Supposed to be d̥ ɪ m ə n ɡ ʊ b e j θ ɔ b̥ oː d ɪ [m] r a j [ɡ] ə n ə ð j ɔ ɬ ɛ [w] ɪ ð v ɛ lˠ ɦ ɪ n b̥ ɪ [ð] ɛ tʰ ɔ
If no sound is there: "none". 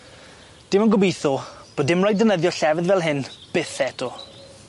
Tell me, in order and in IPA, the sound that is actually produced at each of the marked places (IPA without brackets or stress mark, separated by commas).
m, d, v, θ